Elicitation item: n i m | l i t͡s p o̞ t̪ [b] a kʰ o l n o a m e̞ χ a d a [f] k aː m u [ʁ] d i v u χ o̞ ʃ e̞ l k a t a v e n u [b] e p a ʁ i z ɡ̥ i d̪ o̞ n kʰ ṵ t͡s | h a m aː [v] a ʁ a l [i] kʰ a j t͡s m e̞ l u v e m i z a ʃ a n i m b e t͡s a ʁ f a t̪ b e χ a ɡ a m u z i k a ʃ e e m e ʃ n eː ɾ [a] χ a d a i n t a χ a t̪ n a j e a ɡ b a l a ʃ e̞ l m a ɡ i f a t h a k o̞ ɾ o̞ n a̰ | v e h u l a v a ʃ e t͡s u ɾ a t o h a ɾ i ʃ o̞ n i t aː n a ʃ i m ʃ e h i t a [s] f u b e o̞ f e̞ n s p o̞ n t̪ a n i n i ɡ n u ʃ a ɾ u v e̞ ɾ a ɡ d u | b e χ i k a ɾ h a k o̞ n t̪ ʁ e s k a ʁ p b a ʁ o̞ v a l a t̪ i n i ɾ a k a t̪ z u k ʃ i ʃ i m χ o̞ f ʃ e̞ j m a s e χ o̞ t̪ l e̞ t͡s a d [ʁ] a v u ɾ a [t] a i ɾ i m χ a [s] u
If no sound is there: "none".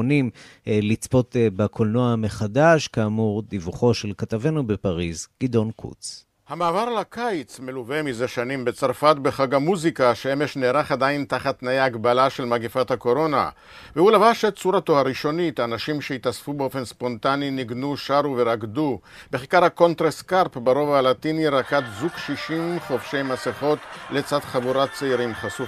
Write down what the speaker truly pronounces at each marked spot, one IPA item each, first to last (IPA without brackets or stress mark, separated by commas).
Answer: b, ʃ, ʁ, b, v, a, a, s, χ, t͡s, s